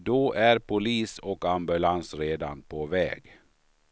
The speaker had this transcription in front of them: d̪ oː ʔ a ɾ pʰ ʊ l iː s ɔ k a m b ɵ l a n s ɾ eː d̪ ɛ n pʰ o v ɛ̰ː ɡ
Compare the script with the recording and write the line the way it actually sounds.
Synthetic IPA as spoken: d̪ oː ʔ æ ɾ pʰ ʊ l iː s ɔ k a m b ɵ l a n s ɾ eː d̪ a n pʰ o v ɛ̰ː ɡ